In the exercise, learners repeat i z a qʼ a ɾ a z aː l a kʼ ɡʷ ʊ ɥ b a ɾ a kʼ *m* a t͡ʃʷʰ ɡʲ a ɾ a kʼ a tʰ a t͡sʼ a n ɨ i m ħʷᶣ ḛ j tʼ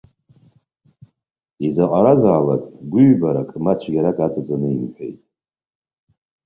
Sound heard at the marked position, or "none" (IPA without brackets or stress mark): m